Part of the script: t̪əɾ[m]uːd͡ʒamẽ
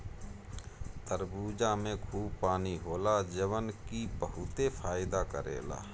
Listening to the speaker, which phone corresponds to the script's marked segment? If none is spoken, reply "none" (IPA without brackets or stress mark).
b